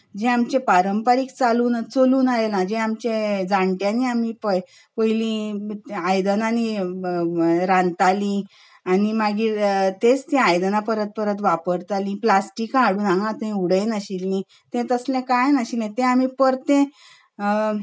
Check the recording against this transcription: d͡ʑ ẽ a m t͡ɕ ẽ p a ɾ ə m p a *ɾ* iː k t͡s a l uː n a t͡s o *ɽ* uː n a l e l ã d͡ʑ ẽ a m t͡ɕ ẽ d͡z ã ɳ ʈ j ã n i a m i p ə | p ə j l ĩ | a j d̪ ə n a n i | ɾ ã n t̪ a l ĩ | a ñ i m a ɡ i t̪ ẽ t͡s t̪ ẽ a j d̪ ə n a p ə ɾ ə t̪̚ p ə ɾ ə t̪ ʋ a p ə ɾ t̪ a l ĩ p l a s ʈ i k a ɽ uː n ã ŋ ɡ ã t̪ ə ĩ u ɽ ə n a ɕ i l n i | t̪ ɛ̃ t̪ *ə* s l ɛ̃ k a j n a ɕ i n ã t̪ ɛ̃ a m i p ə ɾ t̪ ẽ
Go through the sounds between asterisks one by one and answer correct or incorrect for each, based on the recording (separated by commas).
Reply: correct, incorrect, correct